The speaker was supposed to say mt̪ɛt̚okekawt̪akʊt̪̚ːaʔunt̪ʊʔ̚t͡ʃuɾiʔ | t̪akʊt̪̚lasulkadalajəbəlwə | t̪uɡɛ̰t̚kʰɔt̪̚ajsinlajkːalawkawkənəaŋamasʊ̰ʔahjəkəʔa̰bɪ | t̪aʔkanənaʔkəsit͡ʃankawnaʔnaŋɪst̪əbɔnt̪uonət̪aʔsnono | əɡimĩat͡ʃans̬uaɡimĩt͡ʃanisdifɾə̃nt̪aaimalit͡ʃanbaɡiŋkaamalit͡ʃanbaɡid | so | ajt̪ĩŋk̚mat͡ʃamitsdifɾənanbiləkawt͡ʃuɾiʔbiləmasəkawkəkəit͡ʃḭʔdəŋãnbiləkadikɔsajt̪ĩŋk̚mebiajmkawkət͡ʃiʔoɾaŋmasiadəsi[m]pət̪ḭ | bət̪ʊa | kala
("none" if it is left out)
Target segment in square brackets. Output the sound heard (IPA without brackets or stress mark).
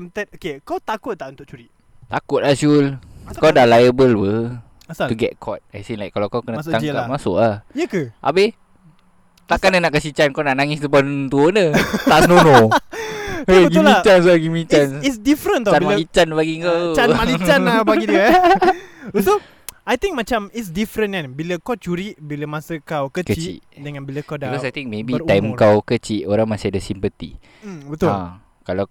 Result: m